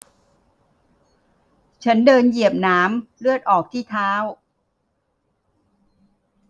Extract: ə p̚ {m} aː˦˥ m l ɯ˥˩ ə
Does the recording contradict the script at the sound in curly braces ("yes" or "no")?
yes